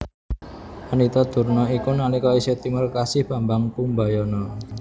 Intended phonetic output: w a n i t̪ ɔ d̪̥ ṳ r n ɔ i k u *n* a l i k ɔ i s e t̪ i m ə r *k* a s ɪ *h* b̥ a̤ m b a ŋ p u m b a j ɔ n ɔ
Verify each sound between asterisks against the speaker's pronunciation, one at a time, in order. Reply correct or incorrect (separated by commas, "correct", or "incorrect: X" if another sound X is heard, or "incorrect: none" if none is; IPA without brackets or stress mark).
correct, correct, correct